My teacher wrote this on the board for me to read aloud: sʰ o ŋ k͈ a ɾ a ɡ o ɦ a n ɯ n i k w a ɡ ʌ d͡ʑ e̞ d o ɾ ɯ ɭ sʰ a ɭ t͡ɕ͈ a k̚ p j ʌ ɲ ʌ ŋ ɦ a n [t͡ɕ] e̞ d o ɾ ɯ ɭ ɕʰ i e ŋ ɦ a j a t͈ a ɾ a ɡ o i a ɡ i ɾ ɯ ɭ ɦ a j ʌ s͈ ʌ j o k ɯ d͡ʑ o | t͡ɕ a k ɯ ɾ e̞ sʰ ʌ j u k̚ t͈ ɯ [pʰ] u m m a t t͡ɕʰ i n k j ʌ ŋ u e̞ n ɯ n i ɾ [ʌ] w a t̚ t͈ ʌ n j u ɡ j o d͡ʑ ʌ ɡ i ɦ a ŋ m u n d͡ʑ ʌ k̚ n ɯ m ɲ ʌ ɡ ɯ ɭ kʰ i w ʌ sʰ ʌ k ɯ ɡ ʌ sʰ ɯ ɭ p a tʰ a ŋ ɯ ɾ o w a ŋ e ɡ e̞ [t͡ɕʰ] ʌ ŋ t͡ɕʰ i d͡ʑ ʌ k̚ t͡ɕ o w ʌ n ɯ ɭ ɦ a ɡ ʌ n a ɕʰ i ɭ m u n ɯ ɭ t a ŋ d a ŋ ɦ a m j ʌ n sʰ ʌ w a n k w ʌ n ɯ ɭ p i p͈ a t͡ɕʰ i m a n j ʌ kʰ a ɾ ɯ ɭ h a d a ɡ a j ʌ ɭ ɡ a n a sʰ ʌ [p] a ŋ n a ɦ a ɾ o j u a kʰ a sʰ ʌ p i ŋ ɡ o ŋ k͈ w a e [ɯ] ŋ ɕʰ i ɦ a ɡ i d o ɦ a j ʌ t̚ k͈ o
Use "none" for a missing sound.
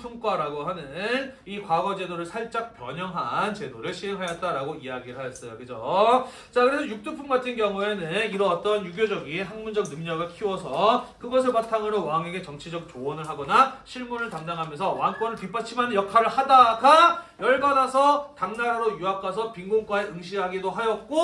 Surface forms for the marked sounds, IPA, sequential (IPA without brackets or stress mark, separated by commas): t͡ɕ, pʰ, ʌ, t͡ɕ, t, ɯ